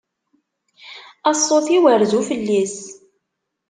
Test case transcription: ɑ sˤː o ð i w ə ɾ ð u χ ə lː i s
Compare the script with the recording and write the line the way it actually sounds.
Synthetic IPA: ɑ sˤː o θ i w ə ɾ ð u f ə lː i s